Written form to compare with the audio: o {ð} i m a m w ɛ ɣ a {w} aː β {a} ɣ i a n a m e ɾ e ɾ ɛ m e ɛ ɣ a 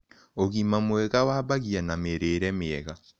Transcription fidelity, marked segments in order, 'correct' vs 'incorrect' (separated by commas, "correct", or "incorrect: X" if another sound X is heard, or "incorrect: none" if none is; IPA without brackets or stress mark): incorrect: ɣ, correct, correct